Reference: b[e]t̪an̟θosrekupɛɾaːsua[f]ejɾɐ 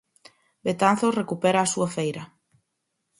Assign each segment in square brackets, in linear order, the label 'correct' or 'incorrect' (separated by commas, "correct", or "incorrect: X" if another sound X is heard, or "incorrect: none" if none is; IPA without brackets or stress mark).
correct, correct